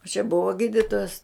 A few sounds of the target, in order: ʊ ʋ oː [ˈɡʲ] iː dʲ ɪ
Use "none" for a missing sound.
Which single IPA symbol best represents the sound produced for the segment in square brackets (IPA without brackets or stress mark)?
ɡʲ